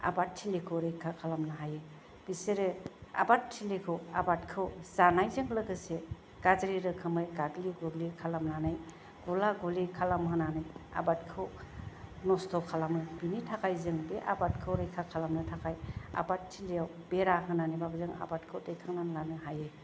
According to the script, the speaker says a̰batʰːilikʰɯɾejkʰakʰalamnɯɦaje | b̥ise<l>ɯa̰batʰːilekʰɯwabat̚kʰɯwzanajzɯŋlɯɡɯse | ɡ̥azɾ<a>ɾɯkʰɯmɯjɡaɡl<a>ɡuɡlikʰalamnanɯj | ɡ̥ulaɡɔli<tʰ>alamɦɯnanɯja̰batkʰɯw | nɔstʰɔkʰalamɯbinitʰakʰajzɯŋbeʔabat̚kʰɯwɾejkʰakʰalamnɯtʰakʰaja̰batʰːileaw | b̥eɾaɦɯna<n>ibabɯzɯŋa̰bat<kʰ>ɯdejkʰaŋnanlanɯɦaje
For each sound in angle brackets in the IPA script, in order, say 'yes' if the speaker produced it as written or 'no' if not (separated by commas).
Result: no, no, no, no, yes, yes